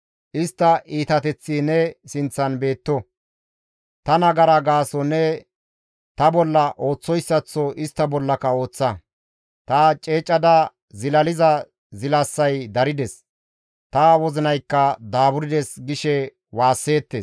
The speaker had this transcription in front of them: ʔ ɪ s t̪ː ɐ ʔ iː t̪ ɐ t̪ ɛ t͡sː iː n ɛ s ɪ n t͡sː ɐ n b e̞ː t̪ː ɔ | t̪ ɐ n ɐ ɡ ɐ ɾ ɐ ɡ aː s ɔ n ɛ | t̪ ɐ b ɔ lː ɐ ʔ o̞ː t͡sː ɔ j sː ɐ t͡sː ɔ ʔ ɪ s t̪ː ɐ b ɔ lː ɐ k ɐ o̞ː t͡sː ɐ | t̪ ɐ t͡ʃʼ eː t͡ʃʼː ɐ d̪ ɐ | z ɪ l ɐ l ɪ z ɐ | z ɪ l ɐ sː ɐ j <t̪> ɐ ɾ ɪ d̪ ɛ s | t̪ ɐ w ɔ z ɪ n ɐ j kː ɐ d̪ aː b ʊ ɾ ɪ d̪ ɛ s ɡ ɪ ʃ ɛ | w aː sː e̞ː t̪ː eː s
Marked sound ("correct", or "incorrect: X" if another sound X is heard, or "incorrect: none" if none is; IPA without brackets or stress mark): incorrect: d̪